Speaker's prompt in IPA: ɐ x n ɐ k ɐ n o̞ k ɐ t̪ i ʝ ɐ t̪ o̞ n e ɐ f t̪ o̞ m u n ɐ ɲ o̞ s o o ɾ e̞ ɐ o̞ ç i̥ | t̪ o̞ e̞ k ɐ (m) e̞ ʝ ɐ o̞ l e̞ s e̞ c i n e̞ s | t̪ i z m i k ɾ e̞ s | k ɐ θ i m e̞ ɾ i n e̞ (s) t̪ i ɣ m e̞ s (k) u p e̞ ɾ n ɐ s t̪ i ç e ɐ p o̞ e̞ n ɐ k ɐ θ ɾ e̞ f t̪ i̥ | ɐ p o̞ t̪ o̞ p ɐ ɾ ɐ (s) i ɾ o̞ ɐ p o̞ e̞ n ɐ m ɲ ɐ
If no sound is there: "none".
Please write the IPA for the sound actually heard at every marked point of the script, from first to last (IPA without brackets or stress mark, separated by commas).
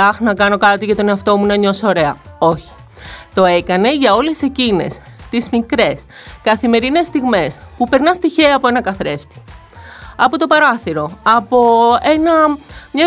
n, s, p, θ